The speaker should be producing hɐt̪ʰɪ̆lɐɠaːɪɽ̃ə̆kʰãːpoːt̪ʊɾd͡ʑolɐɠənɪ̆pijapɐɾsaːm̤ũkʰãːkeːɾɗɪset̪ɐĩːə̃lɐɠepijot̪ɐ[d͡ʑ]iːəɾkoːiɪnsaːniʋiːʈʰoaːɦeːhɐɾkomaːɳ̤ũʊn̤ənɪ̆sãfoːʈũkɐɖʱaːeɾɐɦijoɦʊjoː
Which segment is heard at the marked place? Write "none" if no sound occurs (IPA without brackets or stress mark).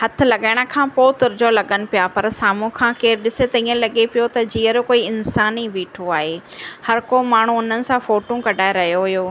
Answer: d͡ʑ